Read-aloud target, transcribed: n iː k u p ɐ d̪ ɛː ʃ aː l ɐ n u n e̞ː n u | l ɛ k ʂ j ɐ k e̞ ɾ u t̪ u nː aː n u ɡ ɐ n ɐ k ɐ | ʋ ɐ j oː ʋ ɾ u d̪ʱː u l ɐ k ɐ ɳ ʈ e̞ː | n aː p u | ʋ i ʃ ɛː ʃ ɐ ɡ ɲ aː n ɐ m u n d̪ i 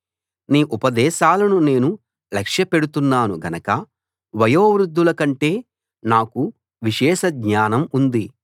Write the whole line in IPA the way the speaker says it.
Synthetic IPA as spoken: n iː ʔ u p ɐ d̪ ɛː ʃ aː l ɐ n u n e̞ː n u | l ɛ k ʂ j ɐ p e̞ ɽ u t̪ u nː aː n u ɡ ɐ n ɐ k ɐ | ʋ ɐ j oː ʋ ɾ u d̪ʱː u l ɐ k ɐ ɳ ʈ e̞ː | n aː k u | ʋ i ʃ ɛː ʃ ɐ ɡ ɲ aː n ɐ m u n d̪ i